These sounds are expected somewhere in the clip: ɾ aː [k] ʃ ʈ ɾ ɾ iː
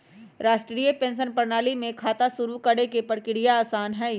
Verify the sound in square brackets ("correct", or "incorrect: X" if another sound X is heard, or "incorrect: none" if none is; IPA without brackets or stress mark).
incorrect: none